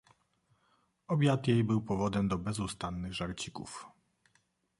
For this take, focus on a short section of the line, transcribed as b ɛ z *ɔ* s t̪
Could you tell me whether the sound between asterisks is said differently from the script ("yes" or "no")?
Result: yes